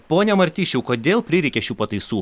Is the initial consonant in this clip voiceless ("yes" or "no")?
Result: yes